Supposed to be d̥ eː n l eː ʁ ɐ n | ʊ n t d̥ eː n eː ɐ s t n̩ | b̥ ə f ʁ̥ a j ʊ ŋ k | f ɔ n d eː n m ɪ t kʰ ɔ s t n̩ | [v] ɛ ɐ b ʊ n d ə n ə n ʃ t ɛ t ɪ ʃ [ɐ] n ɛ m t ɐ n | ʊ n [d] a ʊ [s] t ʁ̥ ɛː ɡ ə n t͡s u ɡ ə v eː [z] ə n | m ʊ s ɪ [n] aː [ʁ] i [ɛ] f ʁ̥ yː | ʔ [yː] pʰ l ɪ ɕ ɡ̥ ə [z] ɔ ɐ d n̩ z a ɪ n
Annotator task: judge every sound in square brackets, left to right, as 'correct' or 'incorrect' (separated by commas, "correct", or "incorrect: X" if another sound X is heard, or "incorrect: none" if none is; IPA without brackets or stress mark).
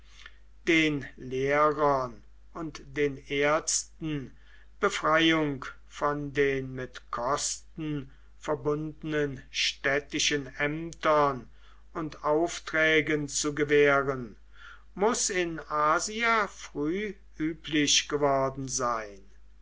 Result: incorrect: f, incorrect: ə, incorrect: t, incorrect: f, incorrect: ʁ, correct, incorrect: z, incorrect: a, correct, incorrect: v